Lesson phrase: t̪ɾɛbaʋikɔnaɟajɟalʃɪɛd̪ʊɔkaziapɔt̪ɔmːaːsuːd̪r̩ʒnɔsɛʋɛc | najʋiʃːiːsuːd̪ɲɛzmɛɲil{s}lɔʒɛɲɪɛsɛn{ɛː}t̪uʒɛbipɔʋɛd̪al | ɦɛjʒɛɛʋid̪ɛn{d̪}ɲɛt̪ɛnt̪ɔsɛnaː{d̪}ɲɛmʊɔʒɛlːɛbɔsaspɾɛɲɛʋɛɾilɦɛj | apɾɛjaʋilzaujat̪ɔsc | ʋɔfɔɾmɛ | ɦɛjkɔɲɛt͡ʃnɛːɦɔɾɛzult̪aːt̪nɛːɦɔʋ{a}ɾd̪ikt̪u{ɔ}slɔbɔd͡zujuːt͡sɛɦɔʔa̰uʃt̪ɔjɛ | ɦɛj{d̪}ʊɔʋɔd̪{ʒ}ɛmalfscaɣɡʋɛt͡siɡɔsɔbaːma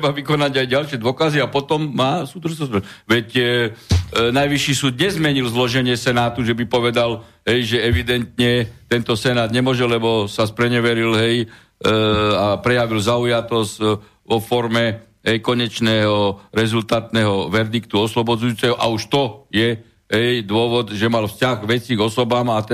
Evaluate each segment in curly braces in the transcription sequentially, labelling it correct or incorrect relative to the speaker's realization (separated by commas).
incorrect, incorrect, incorrect, correct, incorrect, correct, correct, correct